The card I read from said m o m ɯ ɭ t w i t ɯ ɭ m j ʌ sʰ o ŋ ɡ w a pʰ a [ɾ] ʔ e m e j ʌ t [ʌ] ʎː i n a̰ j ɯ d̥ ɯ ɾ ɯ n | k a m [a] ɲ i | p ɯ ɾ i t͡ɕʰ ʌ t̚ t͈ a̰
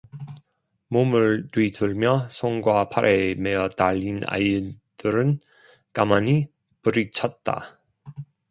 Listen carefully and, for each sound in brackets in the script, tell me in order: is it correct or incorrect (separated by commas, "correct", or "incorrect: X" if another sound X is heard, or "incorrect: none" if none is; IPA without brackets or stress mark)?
correct, incorrect: a, correct